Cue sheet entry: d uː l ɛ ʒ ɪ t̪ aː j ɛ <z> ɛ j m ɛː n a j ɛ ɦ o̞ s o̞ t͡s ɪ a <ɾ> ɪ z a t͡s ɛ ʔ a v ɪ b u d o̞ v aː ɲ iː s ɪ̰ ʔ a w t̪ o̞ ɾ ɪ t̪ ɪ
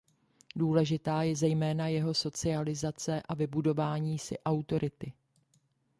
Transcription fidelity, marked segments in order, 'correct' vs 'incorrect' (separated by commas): correct, incorrect